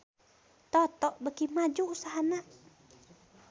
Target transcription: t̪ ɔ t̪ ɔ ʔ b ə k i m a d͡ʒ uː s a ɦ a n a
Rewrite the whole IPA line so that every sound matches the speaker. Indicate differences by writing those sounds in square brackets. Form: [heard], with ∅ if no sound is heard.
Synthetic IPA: t̪ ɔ t̪ ɔ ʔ b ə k i m a d͡ʒ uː s a ɦ a n a